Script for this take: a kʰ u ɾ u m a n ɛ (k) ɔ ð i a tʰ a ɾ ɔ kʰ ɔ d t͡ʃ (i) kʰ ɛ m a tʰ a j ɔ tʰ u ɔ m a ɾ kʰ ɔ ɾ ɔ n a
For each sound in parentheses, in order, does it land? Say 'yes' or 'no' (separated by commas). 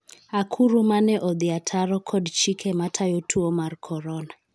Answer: no, yes